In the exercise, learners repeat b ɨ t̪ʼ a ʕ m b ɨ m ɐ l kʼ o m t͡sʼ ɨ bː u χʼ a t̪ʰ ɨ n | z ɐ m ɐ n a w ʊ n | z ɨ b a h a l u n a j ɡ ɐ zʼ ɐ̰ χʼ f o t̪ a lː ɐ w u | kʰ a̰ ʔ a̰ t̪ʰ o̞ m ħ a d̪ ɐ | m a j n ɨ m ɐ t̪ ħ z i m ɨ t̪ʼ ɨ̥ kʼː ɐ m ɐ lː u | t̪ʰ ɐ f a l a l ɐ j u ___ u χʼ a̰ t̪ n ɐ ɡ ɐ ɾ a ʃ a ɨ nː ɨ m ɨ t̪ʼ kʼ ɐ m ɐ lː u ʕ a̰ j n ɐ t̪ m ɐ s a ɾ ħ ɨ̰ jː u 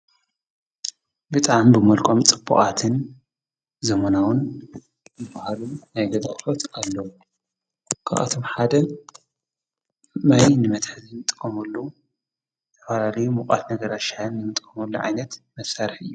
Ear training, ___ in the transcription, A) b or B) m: B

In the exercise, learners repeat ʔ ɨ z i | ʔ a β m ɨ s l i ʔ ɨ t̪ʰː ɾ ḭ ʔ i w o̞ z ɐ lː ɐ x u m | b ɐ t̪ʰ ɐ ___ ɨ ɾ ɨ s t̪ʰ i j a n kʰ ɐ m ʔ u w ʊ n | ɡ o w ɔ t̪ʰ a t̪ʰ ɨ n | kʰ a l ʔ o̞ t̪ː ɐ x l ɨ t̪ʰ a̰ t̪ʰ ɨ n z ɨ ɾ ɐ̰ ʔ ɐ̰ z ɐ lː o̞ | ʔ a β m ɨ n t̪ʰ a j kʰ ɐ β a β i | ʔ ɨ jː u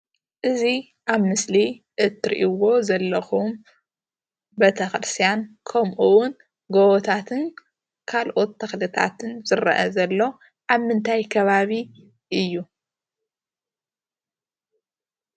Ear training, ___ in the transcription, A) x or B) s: A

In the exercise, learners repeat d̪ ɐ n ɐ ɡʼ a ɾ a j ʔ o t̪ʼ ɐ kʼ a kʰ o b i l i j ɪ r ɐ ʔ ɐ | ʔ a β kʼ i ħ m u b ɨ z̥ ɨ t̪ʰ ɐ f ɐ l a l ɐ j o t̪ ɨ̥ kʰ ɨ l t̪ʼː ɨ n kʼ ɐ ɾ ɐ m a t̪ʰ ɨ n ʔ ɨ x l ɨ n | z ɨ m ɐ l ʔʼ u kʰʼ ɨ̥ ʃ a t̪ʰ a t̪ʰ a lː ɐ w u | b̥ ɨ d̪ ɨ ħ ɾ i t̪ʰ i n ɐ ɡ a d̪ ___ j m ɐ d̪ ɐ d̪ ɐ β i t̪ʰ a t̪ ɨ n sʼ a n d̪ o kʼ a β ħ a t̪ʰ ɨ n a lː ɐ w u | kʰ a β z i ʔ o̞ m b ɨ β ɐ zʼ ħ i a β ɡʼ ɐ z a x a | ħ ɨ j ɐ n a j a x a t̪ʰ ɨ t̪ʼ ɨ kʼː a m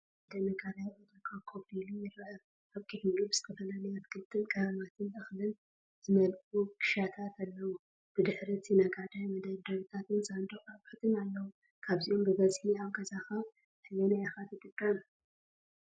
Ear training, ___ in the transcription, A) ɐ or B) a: B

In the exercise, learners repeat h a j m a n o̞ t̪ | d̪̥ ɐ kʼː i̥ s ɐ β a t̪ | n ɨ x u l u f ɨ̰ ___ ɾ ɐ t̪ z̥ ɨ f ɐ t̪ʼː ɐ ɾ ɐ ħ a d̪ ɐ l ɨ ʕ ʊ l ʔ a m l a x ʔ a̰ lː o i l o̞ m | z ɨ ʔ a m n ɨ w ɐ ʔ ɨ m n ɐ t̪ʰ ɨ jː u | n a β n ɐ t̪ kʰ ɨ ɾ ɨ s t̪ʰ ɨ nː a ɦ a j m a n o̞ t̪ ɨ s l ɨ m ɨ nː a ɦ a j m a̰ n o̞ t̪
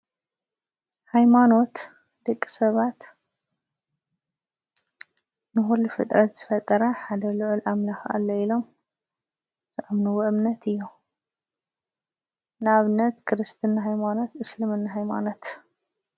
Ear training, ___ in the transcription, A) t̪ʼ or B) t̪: A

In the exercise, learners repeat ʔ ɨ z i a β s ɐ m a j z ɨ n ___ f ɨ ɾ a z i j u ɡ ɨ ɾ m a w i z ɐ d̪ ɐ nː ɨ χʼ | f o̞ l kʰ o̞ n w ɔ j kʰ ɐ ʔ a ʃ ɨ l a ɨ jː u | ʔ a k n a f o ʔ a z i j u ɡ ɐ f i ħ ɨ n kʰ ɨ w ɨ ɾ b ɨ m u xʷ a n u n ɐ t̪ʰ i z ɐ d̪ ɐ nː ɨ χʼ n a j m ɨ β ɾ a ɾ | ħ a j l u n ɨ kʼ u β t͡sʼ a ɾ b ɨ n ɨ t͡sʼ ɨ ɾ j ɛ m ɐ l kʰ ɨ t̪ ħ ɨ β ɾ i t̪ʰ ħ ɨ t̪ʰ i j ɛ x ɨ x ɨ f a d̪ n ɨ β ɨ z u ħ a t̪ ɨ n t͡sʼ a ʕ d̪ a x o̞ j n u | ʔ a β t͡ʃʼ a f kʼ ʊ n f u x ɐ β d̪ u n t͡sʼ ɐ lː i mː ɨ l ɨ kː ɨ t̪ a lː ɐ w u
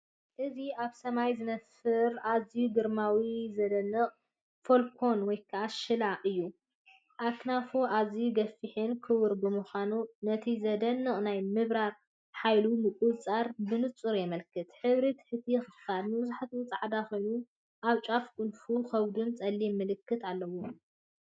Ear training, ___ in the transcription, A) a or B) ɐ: B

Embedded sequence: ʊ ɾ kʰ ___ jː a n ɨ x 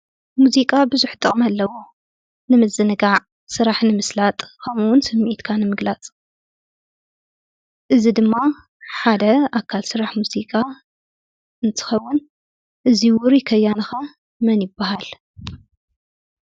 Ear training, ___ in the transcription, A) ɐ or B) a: A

